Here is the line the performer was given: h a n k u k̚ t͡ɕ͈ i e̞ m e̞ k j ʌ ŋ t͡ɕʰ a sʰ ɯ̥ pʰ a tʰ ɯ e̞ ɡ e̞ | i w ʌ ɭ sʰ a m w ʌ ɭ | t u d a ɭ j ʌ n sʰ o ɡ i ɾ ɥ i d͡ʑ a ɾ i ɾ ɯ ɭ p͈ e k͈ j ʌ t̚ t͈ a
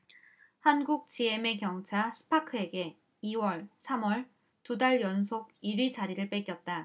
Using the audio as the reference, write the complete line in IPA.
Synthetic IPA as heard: h a n ɡ u k̚ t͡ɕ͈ i e̞ m e̞ k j ʌ ŋ t͡ɕʰ a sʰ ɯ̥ pʰ a kʰ ɯ e̞ ɡ e̞ | i w ʌ ɭ sʰ a m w ʌ ɭ | t u d a ɭ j ʌ n sʰ o ɡ i ɾ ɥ i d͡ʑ a ɾ i ɾ ɯ ɭ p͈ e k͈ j ʌ t̚ t͈ a